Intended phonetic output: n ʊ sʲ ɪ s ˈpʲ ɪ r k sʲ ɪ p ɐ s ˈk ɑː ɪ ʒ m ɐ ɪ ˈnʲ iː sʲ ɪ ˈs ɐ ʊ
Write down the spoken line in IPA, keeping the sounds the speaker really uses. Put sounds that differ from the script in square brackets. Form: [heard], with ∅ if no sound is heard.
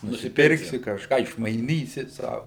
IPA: n ʊ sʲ ɪ [∅] ˈpʲ ɪ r k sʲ ɪ [k] ɐ [ʃ] ˈk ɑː ɪ [ʃ] m ɐ ɪ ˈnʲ iː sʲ ɪ ˈs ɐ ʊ